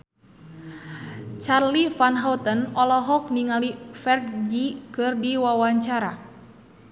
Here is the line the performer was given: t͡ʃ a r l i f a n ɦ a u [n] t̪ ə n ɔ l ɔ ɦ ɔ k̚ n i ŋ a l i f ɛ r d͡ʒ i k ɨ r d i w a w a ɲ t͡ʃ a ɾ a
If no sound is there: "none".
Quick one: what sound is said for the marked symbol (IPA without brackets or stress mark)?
none